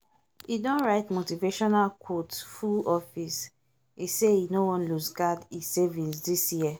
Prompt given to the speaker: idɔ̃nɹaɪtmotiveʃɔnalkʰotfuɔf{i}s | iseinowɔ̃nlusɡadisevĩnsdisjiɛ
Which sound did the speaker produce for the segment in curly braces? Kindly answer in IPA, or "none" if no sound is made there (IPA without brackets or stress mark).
i